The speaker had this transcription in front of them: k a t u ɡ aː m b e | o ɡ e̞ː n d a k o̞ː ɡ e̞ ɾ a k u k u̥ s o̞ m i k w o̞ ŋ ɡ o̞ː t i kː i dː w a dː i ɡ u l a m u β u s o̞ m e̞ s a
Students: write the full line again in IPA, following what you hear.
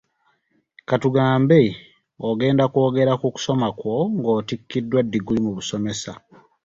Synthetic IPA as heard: k a t u ɡ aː m b e | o ɡ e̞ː n d a k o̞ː ɡ e̞ ɾ a k u k u̥ s o̞ m a k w o̞ ŋ ɡ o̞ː t i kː i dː w a dː i ɡ u l i m u β u s o̞ m e̞ s a